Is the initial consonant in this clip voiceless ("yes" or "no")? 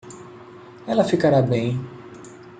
no